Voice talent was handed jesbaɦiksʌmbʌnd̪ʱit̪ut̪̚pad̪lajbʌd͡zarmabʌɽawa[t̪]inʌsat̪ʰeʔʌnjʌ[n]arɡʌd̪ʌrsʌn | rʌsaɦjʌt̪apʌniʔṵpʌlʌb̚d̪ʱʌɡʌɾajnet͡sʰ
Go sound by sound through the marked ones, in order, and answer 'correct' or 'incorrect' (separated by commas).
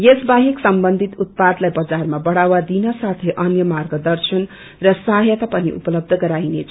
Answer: incorrect, incorrect